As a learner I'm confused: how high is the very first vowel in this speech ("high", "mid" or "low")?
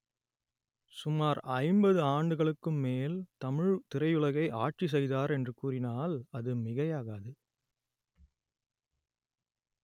high